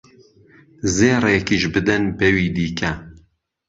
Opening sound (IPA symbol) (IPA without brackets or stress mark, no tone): z